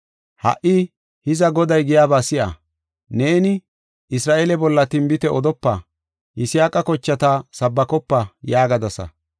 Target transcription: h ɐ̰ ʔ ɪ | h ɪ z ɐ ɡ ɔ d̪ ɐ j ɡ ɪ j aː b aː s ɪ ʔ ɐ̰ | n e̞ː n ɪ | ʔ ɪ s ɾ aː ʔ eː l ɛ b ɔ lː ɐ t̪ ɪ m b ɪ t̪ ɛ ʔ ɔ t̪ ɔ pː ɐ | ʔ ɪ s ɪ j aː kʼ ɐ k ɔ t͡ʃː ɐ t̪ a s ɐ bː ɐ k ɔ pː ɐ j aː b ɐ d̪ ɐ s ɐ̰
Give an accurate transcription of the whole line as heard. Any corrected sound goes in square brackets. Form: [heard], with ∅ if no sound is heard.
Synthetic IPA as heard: h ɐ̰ ʔ ɪ | h ɪ z ɐ ɡ ɔ d̪ ɐ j ɡ ɪ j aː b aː s ɪ ʔ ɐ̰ | n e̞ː n ɪ | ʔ ɪ s ɾ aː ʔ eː l ɛ b ɔ lː ɐ t̪ ɪ m b ɪ t̪ ɛ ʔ ɔ [d̪] ɔ pː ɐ | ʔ ɪ s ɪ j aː kʼ ɐ k ɔ t͡ʃː ɐ t̪ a s ɐ bː ɐ k ɔ pː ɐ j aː [ɡ] ɐ d̪ ɐ s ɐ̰